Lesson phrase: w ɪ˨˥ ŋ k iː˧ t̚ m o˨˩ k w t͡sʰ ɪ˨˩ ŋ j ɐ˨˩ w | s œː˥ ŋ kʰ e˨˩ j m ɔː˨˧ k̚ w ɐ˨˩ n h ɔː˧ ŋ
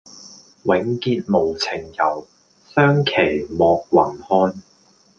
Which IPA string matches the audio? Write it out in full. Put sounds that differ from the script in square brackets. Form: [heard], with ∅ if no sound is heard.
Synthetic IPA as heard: w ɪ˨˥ ŋ k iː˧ t̚ m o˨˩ [∅] w t͡sʰ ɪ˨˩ ŋ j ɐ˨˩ w | s œː˥ ŋ kʰ e˨˩ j m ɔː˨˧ k̚ w ɐ˨˩ n h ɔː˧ [n]